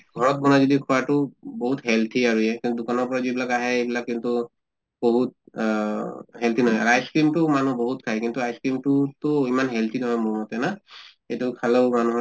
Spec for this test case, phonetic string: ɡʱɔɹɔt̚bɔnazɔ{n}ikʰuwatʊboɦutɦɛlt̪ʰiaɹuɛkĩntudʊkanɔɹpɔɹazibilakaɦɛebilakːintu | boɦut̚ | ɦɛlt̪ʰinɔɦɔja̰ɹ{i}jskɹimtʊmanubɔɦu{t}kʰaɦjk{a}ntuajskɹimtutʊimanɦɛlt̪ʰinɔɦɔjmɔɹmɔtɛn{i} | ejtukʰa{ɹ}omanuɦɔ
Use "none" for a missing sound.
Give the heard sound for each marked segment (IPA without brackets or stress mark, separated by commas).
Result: d, a, t, i, a, l